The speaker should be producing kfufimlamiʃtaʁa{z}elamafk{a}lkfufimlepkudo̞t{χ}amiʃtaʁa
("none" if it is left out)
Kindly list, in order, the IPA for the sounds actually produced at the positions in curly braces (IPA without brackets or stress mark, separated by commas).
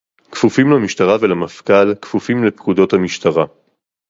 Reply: v, a, h